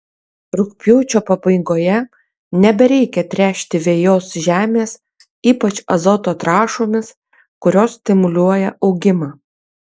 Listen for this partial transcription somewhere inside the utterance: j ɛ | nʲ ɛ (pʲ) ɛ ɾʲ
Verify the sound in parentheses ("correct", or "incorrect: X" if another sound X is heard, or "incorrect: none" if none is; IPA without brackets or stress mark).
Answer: incorrect: bʲ